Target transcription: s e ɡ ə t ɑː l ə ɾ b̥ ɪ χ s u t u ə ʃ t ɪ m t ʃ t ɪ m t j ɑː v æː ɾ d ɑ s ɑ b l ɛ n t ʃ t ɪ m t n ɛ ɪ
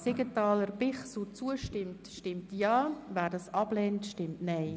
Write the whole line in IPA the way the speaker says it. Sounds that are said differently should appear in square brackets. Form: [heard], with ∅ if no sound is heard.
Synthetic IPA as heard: s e ɡ ə t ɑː l ə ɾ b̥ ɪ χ s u [t͡s] u ə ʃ t ɪ m t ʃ t ɪ m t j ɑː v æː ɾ d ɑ s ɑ b l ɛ n t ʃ t ɪ m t n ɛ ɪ